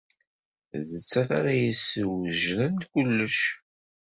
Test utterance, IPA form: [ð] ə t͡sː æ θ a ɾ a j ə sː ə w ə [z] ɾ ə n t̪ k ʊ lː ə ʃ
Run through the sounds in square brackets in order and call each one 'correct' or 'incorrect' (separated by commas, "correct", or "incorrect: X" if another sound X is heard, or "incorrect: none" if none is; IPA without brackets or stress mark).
correct, incorrect: ʒ